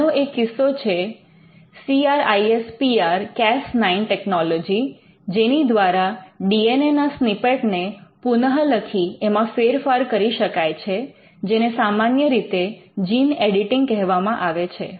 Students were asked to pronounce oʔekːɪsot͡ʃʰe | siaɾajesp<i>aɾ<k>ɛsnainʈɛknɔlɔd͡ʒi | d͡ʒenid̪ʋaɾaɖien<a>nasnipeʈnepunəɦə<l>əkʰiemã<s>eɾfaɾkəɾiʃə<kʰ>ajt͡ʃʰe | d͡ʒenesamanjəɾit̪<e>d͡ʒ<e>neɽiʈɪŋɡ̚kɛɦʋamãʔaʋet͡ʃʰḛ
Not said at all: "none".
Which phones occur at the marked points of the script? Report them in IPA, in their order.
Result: i, k, e, l, f, k, e, i

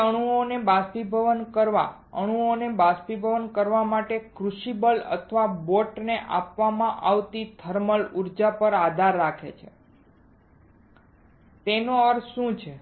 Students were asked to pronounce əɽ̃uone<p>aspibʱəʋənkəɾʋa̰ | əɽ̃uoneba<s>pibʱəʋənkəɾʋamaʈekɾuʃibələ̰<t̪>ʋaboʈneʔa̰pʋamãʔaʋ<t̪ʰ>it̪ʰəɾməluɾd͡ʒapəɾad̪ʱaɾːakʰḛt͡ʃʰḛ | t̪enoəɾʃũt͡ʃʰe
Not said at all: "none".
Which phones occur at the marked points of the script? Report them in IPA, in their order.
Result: b, s, t̪ʰ, t̪

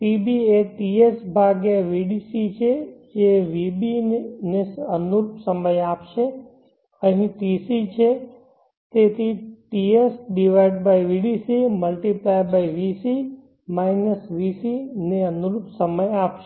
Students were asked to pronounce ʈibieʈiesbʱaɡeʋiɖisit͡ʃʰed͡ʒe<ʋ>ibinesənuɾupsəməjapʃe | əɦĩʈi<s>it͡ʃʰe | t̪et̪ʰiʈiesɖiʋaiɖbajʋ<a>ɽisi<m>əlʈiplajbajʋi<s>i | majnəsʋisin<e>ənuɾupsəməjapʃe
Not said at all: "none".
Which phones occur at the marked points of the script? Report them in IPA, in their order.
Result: ʋ, s, i, m, s, e

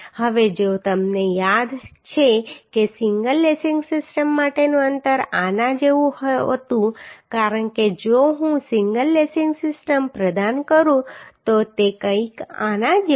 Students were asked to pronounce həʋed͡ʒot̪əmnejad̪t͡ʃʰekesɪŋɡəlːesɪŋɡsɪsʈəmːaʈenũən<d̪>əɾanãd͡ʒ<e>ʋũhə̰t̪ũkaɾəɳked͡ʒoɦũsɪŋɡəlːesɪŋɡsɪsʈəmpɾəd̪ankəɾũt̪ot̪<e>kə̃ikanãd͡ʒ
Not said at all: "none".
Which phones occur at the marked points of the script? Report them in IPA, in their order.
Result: t̪, e, e

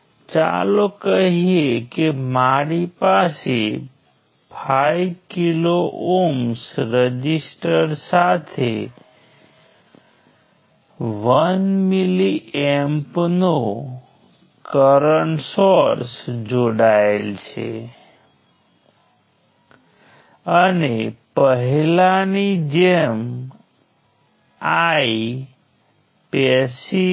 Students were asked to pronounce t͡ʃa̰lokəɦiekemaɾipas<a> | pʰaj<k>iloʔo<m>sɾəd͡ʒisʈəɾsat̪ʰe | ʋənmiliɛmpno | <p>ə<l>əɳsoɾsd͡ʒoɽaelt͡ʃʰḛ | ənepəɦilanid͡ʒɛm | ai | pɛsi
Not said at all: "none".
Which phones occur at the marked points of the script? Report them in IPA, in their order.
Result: e, k, m, k, ɾ

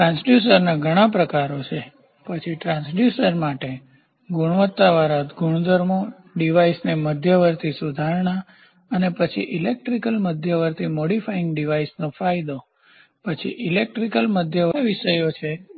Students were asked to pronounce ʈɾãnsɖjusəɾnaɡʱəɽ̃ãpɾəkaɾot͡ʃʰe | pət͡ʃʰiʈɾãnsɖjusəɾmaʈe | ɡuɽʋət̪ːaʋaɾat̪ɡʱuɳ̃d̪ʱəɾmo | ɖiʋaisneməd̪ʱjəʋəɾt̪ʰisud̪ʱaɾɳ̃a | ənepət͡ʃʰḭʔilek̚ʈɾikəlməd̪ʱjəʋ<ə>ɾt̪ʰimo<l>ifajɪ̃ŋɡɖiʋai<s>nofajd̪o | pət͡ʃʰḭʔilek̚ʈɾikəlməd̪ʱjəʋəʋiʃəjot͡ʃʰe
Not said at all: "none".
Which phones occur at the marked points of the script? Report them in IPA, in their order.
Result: ə, ɽ, s

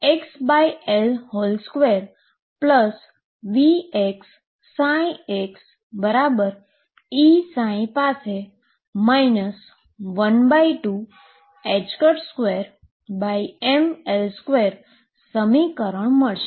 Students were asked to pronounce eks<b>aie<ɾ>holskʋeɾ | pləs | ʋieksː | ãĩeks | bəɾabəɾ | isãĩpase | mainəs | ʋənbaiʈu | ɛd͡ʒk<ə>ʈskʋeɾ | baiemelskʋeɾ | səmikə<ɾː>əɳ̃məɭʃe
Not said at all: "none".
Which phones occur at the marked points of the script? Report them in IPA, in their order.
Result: b, l, ə, ɾ

